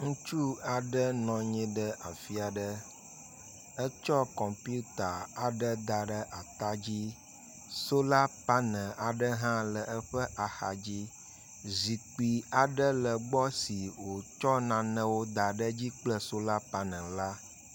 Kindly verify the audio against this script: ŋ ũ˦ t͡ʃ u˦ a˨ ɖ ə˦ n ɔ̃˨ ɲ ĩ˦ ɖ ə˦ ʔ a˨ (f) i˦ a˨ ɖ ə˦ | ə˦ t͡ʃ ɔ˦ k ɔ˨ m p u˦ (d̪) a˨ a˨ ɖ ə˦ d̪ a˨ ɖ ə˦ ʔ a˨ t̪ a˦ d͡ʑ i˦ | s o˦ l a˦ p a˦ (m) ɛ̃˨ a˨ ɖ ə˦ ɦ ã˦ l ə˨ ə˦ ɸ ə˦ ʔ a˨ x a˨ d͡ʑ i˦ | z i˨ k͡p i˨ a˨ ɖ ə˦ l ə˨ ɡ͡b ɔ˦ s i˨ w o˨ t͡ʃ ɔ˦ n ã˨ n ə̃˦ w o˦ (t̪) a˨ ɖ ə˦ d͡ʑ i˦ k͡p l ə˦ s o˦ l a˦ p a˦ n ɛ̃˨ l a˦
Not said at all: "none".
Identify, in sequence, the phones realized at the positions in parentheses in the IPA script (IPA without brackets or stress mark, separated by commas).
f, t̪, n, d̪